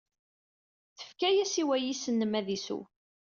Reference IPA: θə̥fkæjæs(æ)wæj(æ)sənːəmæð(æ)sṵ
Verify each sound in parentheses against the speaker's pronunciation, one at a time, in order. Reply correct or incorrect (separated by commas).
incorrect, incorrect, incorrect